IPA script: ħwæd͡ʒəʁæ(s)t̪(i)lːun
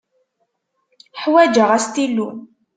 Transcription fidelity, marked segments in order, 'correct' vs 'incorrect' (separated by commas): correct, correct